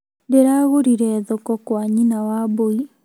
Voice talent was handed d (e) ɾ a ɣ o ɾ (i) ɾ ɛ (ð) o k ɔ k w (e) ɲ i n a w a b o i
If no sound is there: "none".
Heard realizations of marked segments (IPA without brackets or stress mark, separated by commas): e, i, ð, a